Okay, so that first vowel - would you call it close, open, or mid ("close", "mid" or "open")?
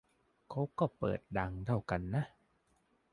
open